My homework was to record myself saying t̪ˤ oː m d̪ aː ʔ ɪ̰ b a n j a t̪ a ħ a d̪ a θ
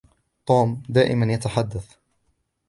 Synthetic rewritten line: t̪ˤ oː m d̪ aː ʔ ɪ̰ m a n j a t̪ a ħ a d̪ː a θ